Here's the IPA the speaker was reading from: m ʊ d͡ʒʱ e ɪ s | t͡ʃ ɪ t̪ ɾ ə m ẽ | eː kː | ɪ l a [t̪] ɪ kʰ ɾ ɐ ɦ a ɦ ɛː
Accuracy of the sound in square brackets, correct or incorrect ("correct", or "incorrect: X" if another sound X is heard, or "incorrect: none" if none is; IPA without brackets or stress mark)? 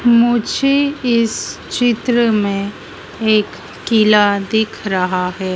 incorrect: d̪